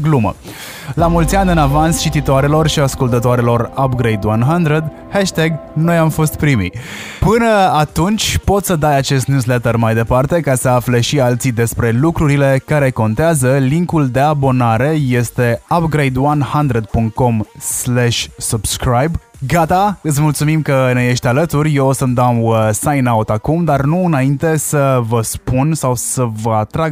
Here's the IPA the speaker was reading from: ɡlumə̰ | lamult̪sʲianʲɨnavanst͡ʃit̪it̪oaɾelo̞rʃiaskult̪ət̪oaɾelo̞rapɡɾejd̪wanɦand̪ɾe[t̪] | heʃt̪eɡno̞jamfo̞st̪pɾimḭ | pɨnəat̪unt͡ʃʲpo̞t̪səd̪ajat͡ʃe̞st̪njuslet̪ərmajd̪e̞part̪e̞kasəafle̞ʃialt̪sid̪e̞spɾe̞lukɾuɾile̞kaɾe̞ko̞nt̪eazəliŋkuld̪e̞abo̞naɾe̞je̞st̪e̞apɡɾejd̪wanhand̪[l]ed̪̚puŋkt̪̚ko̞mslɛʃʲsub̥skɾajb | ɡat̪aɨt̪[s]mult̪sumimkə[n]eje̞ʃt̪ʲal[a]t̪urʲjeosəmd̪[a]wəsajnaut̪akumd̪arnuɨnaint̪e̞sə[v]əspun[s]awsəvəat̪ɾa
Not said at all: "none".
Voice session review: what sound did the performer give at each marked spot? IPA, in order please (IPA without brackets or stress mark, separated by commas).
d̪, ɾ, s, n, ə, a, v, s